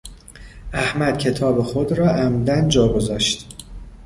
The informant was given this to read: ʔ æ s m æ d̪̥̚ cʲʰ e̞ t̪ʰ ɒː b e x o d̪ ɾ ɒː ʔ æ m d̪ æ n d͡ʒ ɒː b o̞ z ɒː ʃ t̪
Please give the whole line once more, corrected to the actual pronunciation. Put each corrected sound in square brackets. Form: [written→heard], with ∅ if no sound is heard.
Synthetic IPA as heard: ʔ æ [s→h] m æ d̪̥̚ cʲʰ e̞ t̪ʰ ɒː b e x o d̪ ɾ ɒː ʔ æ m d̪ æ n d͡ʒ ɒː [b→ɡ] o̞ z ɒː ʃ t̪